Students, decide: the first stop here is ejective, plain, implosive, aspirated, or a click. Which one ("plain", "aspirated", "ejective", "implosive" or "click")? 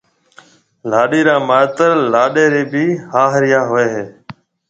implosive